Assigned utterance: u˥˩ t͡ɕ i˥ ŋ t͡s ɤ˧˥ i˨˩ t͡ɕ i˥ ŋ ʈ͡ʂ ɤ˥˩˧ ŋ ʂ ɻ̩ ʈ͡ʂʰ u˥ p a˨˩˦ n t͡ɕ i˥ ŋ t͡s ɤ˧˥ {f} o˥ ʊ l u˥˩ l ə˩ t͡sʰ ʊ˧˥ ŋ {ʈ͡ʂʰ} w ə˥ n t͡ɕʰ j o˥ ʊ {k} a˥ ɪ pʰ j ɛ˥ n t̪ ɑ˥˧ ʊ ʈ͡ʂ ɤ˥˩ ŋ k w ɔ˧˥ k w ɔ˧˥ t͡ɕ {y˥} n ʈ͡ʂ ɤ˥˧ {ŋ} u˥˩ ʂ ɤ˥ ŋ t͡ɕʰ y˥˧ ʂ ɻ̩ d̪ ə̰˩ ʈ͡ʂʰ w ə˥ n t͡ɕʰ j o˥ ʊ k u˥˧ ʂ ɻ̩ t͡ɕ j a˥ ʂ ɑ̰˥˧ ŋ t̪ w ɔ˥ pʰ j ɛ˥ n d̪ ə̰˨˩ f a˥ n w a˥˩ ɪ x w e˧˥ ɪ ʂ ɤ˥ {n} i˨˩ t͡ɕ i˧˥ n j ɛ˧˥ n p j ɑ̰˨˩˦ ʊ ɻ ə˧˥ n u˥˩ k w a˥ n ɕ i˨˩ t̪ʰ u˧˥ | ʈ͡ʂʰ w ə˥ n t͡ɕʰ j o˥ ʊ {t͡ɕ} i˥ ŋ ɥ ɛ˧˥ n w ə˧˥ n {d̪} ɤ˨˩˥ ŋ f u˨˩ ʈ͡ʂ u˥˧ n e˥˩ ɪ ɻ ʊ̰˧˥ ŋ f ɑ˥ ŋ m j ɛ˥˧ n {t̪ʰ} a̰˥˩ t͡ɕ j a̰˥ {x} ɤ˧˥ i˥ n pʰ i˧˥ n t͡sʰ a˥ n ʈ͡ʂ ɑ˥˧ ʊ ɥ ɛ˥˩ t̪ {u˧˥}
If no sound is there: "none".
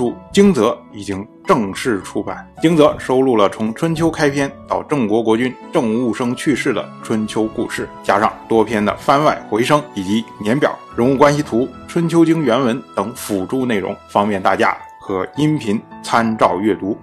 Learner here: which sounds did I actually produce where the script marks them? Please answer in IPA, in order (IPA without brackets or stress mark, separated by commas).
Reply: ʂ, ʈ͡ʂʰ, kʰ, y˥, ŋ, ŋ, t͡ɕ, t̪, t̪, x, u˧˥